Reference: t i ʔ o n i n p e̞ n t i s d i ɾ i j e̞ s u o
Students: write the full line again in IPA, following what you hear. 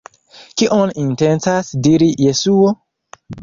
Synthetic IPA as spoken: k i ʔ o n i n t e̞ n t a s d i ɾ i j e̞ s u o